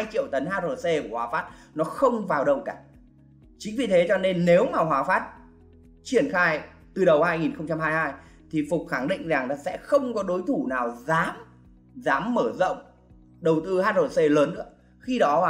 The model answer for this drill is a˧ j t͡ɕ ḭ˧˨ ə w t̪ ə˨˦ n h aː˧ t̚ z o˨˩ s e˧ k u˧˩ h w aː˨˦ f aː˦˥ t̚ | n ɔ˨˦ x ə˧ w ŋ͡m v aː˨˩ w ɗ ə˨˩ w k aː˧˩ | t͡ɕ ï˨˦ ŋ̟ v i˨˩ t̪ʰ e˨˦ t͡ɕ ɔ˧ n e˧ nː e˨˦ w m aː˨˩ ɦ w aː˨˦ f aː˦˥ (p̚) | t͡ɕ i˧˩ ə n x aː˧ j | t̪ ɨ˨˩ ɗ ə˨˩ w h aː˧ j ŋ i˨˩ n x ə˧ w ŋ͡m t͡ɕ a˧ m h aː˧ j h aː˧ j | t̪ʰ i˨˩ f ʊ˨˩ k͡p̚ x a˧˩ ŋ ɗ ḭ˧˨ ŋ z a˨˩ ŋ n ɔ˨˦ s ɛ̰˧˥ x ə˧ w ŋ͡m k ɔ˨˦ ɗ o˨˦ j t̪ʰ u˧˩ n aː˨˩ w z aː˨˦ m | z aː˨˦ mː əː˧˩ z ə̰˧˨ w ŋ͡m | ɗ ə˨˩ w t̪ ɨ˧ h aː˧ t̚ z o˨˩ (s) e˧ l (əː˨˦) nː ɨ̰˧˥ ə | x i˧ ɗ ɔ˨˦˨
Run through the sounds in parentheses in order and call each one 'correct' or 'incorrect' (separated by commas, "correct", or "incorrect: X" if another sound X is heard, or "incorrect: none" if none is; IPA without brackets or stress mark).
incorrect: t̚, correct, correct